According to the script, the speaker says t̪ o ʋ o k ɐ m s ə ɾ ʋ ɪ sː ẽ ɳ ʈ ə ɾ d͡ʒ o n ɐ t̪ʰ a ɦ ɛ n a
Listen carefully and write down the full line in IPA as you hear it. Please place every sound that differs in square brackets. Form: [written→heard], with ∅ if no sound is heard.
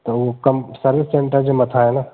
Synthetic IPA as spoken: t̪ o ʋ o k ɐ m s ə ɾ ʋ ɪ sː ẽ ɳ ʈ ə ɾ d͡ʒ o [n→m] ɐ t̪ʰ a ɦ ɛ n a